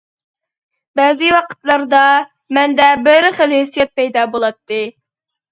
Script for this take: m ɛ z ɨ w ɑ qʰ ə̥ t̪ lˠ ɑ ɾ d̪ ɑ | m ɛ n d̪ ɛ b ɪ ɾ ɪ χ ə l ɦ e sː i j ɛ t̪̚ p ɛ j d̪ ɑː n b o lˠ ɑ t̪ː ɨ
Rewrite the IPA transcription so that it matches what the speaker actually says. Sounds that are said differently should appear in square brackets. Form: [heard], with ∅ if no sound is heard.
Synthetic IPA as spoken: [b] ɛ z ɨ w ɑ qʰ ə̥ t̪ lˠ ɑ ɾ d̪ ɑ | m ɛ n d̪ ɛ b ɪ ɾ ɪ χ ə l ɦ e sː i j ɛ t̪̚ p ɛ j d̪ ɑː [∅] b o lˠ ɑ t̪ː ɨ

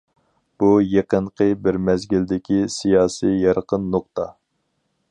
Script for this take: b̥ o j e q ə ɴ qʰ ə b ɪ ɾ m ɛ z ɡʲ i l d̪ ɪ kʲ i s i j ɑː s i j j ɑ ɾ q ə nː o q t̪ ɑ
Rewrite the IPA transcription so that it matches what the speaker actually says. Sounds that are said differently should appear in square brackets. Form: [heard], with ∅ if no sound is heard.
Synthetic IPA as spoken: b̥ [u] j e q ə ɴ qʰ ə b ɪ ɾ m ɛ z ɡʲ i l d̪ ɪ kʲ i s i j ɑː s i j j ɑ ɾ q ə nː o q t̪ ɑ

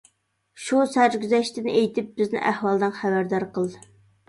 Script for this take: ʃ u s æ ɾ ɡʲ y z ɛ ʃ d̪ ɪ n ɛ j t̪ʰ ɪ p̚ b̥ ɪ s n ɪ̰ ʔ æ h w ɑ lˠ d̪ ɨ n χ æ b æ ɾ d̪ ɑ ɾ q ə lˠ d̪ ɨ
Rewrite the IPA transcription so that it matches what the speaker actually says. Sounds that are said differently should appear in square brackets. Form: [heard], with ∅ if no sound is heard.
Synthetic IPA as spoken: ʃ u s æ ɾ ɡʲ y z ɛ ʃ [t̪] ɪ n [e] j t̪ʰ ɪ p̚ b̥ ɪ [z] n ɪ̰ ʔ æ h w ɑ lˠ d̪ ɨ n χ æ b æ ɾ d̪ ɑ ɾ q ə lˠ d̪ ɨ

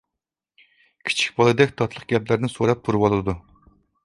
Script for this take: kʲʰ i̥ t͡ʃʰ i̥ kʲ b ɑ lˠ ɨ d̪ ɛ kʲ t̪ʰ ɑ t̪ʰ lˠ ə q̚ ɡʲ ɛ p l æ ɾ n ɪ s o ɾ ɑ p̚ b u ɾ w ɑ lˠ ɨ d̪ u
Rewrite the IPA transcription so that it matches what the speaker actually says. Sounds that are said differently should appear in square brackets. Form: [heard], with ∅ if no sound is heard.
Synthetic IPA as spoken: kʲʰ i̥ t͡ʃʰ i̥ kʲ b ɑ lˠ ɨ d̪ ɛ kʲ t̪ʰ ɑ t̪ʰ lˠ ə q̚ ɡʲ ɛ p l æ ɾ n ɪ s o ɾ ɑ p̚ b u ɾ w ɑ lˠ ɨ d̪ u

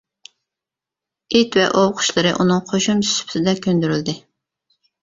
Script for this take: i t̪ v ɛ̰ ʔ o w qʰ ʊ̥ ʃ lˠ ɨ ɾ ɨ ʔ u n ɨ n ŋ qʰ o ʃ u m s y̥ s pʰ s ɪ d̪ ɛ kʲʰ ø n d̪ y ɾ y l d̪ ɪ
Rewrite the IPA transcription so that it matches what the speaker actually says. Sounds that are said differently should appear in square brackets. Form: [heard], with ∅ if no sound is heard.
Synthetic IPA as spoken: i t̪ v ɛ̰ ʔ o w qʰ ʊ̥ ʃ lˠ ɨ ɾ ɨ ʔ u n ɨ [∅] ŋ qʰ o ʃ u m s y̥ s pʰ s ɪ d̪ ɛ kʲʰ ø n d̪ y ɾ y l d̪ ɪ

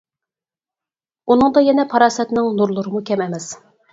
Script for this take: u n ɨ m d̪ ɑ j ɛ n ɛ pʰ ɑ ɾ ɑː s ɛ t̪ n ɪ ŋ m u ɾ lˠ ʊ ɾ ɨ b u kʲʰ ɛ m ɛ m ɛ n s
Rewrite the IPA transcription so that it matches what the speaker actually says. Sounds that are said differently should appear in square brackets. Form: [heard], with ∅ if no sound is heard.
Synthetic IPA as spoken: u n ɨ [ŋ] d̪ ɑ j ɛ n ɛ pʰ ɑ ɾ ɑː s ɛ t̪ n ɪ ŋ [n] u ɾ lˠ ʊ ɾ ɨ [m] u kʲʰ ɛ m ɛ m ɛ [∅] s

